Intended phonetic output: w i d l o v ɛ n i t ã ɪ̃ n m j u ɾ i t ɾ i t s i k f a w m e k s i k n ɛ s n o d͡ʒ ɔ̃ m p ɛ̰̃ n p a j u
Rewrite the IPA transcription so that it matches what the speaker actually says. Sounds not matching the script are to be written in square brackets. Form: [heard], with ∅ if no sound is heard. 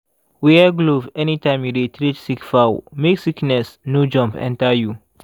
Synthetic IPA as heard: w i [ɡ] l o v ɛ n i t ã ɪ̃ [∅] m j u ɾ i t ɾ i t s i k f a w m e k s i k n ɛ s n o d͡ʒ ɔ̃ m p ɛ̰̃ n [t] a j u